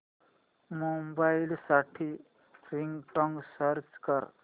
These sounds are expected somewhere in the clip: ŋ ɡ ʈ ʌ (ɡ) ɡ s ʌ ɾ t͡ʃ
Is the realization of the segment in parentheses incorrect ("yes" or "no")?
yes